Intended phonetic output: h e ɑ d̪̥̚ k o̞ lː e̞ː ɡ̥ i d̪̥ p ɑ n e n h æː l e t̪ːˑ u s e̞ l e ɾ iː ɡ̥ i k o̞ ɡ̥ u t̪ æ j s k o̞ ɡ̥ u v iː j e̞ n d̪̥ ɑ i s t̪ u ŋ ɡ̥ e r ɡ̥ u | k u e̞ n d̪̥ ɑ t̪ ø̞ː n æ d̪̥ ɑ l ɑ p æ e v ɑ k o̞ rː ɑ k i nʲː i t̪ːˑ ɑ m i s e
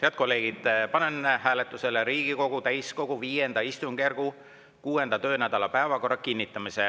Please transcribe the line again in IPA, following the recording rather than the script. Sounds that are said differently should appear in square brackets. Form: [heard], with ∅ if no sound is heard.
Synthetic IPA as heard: h e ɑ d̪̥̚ k o̞ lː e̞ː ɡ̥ i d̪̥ p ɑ n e n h æː l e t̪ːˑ u s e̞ l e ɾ iː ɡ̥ i k o̞ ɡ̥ u t̪ æ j s k o̞ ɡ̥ u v iː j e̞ n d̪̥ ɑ i s t̪ u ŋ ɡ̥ e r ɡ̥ u | k [uː] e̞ n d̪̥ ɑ t̪ ø̞ː n æ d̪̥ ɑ l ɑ p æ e v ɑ k o̞ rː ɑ k i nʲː i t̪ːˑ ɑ m i s e